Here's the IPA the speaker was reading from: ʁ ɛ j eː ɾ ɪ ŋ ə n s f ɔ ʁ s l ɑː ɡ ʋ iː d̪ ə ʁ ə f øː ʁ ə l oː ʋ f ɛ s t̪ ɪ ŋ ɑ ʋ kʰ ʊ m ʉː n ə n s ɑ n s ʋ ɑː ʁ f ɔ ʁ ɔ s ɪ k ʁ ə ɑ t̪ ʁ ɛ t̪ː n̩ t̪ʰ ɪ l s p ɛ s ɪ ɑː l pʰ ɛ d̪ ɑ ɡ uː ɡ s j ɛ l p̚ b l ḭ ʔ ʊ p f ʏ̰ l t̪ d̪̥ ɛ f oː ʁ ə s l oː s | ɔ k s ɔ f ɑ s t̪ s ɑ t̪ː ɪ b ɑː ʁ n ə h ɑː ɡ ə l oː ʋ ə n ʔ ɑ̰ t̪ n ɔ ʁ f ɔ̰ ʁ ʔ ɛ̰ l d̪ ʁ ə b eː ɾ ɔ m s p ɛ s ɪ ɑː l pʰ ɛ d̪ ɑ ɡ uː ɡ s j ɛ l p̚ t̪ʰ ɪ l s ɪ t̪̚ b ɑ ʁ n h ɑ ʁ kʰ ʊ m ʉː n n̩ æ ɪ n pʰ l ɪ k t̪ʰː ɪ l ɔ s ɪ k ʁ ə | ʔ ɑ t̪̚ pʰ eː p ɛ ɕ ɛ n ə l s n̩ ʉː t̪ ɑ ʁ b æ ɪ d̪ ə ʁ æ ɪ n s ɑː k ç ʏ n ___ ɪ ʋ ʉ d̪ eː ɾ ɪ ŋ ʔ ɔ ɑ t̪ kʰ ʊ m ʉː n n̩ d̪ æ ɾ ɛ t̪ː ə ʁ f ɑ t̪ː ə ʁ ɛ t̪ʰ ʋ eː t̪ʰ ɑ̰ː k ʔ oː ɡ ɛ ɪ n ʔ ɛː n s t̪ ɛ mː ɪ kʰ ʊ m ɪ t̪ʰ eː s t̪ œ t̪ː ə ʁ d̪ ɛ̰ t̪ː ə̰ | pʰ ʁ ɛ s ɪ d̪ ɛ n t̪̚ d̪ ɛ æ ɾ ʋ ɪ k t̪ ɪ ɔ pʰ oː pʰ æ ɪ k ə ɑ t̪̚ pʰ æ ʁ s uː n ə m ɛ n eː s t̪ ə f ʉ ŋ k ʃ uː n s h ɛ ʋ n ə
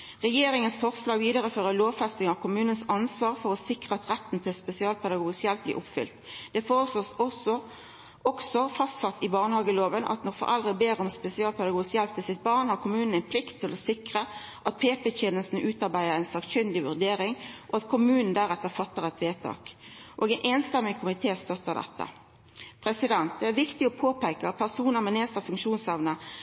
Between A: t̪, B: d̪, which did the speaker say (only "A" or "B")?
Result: B